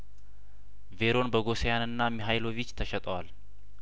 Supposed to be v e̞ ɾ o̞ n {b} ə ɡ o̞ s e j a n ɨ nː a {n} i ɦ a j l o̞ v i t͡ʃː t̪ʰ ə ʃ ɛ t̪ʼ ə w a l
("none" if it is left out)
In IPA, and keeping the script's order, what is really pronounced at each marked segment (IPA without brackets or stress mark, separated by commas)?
b, m